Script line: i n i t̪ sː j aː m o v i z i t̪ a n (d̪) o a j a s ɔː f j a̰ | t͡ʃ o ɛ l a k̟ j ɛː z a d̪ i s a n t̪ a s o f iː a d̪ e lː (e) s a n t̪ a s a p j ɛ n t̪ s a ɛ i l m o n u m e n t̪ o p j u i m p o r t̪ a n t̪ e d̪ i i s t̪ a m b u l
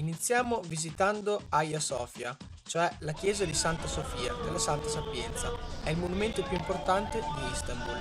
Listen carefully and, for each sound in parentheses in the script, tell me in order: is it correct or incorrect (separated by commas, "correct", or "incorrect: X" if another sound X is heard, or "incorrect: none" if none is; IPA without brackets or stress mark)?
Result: correct, incorrect: a